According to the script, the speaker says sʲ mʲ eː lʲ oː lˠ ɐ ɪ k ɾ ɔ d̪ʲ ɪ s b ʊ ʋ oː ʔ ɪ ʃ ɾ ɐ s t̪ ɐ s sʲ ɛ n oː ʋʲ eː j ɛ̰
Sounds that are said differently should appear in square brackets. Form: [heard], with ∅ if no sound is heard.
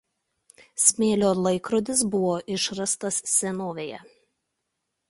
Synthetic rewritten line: sʲ mʲ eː lʲ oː lˠ ɐ ɪ k ɾ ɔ d̪ʲ ɪ s b ʊ ʋ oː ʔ ɪ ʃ ɾ ɐ s t̪ ɐ s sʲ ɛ n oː ʋʲ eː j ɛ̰